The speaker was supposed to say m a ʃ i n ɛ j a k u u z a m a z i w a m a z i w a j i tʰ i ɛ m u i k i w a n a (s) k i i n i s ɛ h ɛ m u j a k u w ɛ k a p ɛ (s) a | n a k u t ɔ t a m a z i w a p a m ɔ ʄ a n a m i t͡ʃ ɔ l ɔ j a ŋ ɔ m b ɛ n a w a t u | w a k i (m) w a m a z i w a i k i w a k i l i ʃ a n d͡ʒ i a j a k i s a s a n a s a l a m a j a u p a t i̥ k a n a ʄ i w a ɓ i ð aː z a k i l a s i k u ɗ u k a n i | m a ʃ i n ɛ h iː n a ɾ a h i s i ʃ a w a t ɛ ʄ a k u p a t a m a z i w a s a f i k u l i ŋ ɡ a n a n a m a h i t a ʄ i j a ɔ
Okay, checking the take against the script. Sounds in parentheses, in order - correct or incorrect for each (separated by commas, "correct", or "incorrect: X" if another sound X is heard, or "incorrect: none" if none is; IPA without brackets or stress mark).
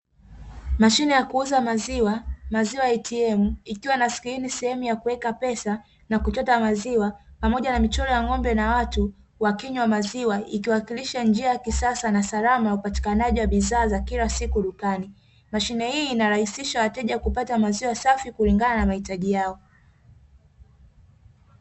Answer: correct, correct, incorrect: ɲ